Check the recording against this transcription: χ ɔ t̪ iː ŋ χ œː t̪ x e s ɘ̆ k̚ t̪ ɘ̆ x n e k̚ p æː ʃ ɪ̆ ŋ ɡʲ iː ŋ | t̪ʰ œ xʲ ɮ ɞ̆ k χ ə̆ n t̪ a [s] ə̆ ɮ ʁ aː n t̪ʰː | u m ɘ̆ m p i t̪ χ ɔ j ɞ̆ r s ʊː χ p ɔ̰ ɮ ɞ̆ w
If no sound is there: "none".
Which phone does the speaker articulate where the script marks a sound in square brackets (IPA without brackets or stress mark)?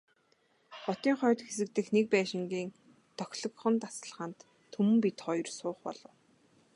s